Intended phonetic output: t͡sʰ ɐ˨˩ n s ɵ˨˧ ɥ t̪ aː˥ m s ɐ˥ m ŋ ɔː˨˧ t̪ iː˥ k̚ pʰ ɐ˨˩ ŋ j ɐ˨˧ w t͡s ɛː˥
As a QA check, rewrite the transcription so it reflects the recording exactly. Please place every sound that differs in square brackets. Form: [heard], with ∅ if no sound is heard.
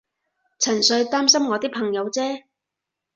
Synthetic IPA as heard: t͡sʰ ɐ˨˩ n s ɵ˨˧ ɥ t̪ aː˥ m s ɐ˥ m ŋ ɔː˨˧ t̪ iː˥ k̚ pʰ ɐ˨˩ ŋ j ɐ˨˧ w t͡s ɛː˥